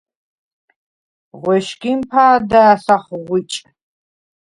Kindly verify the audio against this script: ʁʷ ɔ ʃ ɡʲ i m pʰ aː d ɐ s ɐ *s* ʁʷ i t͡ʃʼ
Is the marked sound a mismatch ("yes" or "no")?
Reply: yes